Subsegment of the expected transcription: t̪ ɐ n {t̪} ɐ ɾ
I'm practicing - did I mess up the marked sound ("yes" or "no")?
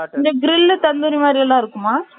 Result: yes